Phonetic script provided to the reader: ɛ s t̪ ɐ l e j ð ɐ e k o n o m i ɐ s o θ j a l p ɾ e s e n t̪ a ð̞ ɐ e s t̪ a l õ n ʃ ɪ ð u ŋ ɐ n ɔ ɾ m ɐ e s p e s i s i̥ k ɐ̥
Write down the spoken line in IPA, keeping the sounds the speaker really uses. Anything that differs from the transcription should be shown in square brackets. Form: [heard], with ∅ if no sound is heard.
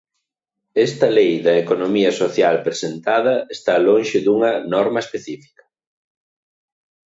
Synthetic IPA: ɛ s t̪ ɐ l e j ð ɐ e k o n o m i ɐ s o θ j a l p ɾ e s e n t̪ a ð̞ ɐ e s t̪ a l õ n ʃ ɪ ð u ŋ ɐ n ɔ ɾ m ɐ e s p e [θ] i [f] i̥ k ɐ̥

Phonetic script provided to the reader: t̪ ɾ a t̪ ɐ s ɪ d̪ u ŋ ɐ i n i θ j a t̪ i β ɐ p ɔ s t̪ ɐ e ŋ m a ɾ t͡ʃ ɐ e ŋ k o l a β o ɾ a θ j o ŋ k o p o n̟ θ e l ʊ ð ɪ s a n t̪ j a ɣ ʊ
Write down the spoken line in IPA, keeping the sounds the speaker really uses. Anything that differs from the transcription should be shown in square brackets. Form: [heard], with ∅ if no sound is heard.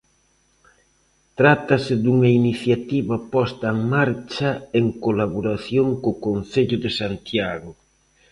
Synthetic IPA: t̪ ɾ a t̪ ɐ s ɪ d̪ u ŋ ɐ i n i θ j a t̪ i β ɐ p ɔ s t̪ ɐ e ŋ m a ɾ t͡ʃ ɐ e ŋ k o l a β o ɾ a θ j o ŋ k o [k] o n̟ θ e [ʎ] ʊ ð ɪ s a n t̪ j a ɣ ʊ

